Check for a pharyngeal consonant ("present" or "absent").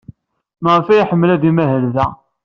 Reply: present